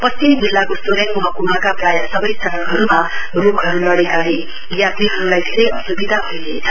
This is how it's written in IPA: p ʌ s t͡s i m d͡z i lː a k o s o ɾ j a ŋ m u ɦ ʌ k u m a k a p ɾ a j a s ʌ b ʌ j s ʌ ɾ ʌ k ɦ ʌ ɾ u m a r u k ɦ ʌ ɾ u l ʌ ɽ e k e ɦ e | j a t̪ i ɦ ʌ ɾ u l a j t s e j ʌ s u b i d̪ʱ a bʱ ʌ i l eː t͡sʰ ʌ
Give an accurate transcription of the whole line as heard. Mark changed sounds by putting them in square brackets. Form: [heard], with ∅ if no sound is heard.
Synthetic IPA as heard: p ʌ s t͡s i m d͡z i lː a k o s o ɾ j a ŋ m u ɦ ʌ k u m a k a p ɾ a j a s ʌ b ʌ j s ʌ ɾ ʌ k ɦ ʌ ɾ u m a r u k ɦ ʌ ɾ u l ʌ ɽ e k [a] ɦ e | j a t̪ i ɦ ʌ ɾ u l a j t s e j ʌ s u b i d̪ʱ a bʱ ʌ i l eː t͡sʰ ʌ

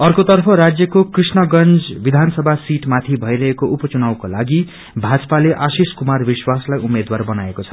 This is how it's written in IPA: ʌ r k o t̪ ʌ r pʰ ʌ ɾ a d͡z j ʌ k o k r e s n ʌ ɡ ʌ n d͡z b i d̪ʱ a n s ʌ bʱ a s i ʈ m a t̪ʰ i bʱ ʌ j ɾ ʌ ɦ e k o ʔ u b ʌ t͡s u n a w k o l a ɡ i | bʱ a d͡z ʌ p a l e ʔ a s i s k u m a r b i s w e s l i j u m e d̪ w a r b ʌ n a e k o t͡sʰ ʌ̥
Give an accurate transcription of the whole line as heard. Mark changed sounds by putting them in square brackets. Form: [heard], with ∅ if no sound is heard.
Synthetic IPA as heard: ʌ r k o t̪ ʌ r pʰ ʌ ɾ a d͡z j ʌ k o k r [i] s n ʌ ɡ ʌ n d͡z b i d̪ʱ a n s ʌ bʱ a s i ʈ m a t̪ʰ i bʱ ʌ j ɾ ʌ ɦ e k o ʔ u [p] ʌ t͡s u n a w k o l a ɡ i | bʱ a d͡z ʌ p a l e ʔ a s i s k u m a r b i s w [a] s l [a] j u m e d̪ w a r b ʌ n a e k o t͡sʰ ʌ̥

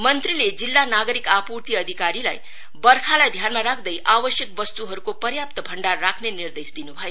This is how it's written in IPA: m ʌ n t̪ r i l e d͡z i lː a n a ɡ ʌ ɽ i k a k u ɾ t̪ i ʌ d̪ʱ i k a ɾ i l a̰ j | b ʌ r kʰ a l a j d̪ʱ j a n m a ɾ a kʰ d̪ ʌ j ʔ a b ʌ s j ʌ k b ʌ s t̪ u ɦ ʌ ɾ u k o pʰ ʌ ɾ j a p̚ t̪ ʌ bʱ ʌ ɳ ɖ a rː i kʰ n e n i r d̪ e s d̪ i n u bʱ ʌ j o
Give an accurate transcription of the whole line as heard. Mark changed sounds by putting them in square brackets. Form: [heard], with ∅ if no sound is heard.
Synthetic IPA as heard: m ʌ n t̪ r i l e d͡z i lː a n a ɡ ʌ [ɾ] i k a [p] u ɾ t̪ i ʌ d̪ʱ i k a ɾ i l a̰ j | b ʌ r kʰ a l a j d̪ʱ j a n m a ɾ a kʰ d̪ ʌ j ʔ a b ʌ s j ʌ k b ʌ s t̪ u ɦ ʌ ɾ u k o [p] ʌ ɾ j a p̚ t̪ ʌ bʱ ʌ ɳ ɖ a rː [a] kʰ n e n i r d̪ e s d̪ i n u bʱ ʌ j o

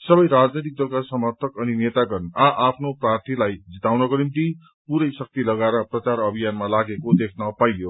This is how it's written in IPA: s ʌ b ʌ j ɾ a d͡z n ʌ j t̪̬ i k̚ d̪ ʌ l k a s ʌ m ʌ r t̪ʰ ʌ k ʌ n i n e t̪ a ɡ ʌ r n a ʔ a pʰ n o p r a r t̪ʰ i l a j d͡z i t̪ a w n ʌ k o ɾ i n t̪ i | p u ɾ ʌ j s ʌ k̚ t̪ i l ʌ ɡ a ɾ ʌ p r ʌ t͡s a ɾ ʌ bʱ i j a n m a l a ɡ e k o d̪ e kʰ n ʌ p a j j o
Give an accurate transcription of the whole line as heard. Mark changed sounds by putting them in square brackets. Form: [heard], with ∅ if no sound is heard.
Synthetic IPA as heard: s ʌ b ʌ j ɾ a d͡z n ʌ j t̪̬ i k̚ d̪ ʌ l k a s ʌ m ʌ r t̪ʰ ʌ k ʌ n i n e t̪ a ɡ ʌ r n a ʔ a pʰ n o p r a r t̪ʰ i l a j d͡z i t̪ a w n ʌ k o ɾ i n t̪ i | p u ɾ ʌ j s ʌ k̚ t̪ i l ʌ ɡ a ɾ ʌ p r ʌ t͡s a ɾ ʌ bʱ i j a n m a l a ɡ e k o d̪ e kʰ n ʌ p a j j o

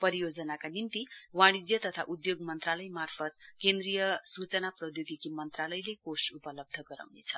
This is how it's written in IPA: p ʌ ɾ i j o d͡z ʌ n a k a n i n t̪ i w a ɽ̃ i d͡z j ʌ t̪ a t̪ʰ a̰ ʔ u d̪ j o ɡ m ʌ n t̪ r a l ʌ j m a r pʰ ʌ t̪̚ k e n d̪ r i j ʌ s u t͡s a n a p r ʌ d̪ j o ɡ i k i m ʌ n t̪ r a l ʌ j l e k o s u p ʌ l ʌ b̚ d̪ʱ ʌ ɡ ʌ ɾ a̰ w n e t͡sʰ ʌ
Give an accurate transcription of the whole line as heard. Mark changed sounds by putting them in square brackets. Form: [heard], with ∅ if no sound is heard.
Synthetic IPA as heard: p ʌ ɾ i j o d͡z ʌ n a k a n i n t̪ i w a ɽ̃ i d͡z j ʌ t̪ [ʌ] t̪ʰ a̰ ʔ u d̪ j o ɡ m ʌ n t̪ r a l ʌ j m a r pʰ ʌ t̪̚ k e n d̪ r i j ʌ s u t͡s [ʌ] n a p r ʌ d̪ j o ɡ i k i m ʌ n t̪ r a l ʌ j l e k o s u p ʌ l ʌ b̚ d̪ʱ ʌ ɡ ʌ ɾ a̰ w n e t͡sʰ ʌ

